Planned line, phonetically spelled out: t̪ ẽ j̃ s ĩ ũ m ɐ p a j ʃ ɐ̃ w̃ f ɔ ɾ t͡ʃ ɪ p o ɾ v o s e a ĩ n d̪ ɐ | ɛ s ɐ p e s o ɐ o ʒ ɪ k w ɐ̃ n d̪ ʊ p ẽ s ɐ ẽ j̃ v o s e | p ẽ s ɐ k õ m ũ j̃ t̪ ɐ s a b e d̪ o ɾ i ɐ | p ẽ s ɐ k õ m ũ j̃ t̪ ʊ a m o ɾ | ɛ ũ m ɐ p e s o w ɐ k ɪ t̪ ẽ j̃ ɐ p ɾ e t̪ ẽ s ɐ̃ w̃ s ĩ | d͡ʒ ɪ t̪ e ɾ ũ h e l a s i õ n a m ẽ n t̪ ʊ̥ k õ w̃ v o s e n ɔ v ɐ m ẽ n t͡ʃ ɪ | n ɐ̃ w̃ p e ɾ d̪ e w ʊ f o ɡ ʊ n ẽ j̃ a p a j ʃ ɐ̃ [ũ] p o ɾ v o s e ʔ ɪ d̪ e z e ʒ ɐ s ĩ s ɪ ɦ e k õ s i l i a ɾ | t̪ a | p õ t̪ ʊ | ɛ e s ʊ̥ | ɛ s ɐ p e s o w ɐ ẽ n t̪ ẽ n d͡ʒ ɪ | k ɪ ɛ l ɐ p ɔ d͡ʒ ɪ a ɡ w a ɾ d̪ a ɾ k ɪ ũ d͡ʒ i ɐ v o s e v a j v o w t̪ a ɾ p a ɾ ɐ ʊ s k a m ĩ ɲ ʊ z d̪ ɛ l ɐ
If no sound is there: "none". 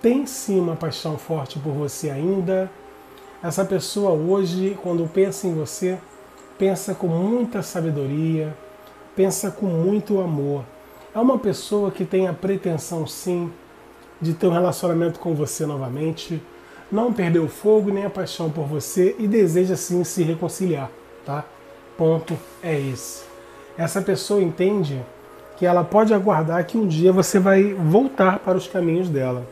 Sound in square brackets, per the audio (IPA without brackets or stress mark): w̃